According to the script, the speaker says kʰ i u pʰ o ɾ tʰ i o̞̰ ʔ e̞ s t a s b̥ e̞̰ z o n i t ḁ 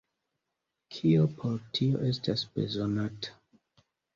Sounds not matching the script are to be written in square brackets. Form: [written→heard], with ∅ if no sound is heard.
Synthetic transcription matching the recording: kʰ i [u→o] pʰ o ɾ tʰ i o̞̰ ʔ e̞ s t a s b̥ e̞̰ z o n [i→a] t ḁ